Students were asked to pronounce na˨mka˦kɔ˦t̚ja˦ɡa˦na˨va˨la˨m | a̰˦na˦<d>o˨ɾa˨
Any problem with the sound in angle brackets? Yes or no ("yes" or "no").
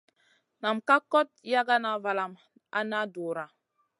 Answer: no